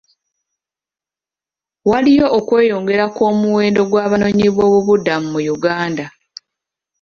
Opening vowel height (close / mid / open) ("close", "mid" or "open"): open